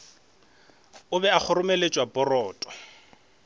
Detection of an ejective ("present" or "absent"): present